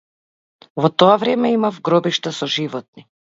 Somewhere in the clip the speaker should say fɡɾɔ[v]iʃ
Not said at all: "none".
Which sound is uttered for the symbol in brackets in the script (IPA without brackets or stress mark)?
b